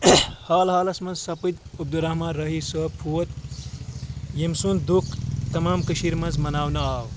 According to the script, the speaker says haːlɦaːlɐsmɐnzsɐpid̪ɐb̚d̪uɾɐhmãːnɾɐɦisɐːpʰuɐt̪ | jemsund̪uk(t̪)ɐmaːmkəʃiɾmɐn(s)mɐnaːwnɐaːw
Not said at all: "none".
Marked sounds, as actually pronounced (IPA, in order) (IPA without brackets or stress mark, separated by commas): t̪, z